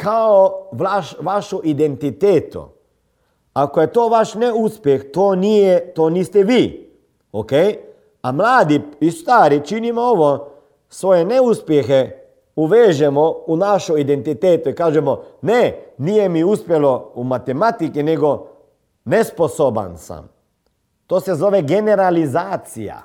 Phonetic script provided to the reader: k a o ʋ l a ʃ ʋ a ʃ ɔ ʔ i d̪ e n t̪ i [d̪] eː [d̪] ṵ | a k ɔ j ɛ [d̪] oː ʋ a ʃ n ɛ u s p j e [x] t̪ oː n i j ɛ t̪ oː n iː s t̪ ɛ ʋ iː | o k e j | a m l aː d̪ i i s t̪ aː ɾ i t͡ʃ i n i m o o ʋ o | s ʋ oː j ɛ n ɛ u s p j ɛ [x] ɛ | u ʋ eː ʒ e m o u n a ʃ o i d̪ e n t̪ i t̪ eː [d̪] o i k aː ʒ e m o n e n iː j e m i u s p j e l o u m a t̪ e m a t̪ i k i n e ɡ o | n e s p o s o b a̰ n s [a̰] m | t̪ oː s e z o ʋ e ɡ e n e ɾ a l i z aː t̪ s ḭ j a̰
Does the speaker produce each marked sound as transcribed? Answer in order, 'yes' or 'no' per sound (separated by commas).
no, no, no, yes, yes, no, yes